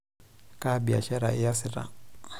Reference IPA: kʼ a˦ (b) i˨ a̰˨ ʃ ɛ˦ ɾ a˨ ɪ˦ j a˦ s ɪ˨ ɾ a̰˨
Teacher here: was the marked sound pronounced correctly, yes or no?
yes